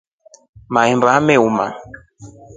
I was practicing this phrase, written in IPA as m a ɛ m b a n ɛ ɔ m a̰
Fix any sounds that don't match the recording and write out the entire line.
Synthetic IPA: m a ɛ m b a m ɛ u m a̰